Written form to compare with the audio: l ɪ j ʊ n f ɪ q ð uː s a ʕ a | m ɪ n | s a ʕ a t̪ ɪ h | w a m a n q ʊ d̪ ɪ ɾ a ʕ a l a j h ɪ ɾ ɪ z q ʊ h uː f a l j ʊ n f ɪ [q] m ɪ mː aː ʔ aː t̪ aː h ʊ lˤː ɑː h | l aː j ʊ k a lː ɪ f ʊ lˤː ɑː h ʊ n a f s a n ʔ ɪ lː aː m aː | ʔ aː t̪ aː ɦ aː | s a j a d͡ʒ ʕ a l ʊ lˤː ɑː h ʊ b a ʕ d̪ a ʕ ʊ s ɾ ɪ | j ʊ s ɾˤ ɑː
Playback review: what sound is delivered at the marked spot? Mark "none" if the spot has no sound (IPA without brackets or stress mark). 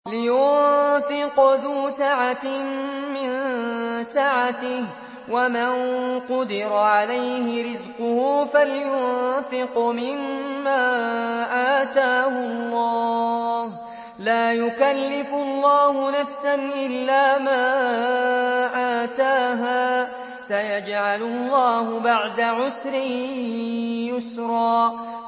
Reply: q